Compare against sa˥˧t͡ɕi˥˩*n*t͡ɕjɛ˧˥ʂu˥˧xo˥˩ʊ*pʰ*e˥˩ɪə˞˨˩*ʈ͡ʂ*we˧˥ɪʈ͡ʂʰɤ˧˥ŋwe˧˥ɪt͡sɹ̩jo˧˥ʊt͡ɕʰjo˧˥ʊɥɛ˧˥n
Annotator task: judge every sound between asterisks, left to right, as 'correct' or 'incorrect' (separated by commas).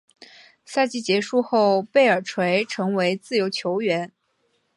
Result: incorrect, incorrect, incorrect